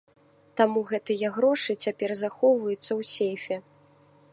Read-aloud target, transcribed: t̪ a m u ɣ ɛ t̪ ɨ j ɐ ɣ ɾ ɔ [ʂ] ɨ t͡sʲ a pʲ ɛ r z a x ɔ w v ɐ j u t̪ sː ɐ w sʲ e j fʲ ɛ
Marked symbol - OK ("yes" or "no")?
yes